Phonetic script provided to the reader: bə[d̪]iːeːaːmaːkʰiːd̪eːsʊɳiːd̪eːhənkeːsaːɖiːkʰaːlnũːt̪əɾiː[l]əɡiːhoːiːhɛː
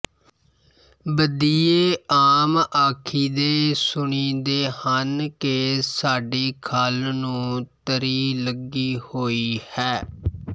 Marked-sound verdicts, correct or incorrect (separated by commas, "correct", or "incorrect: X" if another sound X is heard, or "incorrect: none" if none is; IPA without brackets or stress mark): correct, correct